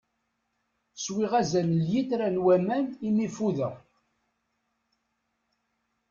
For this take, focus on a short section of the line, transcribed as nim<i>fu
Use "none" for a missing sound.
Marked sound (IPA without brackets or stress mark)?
i